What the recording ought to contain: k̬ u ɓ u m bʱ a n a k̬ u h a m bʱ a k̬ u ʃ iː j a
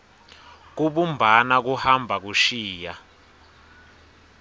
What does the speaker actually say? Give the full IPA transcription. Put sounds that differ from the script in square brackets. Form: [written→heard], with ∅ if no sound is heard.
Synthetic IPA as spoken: k̬ u ɓ u m bʱ a n a k̬ u h a m bʱ a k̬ u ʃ iː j a